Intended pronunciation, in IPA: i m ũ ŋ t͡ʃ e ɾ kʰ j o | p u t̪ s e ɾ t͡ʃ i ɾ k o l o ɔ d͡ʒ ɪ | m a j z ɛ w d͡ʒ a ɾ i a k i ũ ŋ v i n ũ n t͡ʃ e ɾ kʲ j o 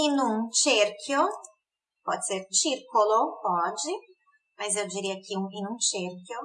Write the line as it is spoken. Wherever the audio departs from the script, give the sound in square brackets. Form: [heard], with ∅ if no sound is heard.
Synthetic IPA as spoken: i [n] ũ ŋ t͡ʃ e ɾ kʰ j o | p [ɔ] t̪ s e ɾ t͡ʃ i ɾ k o l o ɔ d͡ʒ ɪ | m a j z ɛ w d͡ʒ [i] ɾ i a k i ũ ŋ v i n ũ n t͡ʃ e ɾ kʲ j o